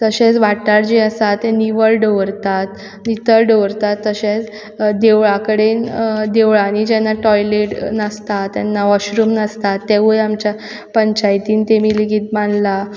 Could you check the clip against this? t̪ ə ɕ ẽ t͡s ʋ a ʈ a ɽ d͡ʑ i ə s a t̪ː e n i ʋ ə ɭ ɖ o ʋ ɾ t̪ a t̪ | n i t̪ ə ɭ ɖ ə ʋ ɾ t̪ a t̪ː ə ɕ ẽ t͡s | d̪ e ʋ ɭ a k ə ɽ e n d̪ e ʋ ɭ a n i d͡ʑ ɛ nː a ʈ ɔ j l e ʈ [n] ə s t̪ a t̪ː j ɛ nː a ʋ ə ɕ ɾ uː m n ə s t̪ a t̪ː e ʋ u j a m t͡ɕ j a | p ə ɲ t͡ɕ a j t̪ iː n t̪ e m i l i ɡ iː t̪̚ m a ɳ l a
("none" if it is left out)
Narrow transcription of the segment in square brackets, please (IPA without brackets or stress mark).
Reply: n